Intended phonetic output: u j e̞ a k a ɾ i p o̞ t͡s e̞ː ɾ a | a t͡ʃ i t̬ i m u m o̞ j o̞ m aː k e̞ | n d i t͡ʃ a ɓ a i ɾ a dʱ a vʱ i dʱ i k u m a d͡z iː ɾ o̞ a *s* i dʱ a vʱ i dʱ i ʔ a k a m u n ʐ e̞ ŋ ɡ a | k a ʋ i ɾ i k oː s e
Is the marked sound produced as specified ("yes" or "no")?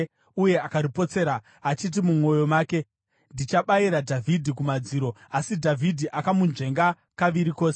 yes